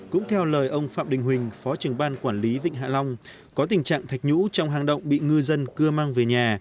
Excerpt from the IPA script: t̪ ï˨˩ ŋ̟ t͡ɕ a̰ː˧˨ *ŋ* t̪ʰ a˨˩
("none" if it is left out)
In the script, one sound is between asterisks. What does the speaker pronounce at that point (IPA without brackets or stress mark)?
ŋ